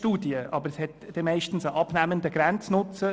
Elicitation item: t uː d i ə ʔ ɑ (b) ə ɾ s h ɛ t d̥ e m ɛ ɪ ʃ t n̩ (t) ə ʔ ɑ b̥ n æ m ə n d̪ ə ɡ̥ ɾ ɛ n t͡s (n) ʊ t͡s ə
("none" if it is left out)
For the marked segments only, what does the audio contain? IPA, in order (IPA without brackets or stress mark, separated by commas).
b, s, n